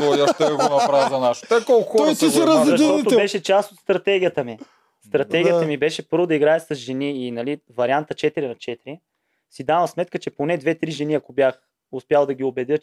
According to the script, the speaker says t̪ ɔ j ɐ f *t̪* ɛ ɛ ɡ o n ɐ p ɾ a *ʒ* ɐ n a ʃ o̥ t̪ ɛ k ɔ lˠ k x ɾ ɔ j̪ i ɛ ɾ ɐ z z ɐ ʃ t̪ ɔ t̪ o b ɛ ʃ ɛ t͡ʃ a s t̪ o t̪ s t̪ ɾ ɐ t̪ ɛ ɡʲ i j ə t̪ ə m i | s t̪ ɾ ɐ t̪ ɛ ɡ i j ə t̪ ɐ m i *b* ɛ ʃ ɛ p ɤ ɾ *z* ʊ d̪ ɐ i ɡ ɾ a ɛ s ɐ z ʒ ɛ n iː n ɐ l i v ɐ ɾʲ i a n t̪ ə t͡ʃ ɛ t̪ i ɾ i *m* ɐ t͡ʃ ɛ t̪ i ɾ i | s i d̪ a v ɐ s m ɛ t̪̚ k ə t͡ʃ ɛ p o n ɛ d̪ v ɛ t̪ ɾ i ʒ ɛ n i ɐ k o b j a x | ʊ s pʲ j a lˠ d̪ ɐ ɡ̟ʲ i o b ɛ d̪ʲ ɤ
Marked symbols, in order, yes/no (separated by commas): yes, no, yes, no, no